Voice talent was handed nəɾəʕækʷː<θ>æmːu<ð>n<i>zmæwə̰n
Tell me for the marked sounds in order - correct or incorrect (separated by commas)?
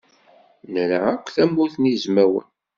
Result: correct, incorrect, correct